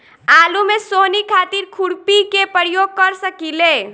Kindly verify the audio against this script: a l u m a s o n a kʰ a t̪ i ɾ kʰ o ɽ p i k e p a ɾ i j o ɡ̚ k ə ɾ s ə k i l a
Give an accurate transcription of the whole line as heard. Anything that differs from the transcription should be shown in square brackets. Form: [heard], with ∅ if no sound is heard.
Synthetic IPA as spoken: a l u m [e] s o n [i] kʰ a t̪ i ɾ kʰ [u] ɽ p i k e p [ə] ɾ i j o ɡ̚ k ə ɾ s ə k i l [e]